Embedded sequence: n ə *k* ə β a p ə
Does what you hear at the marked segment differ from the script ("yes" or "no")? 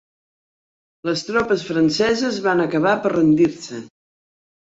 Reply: no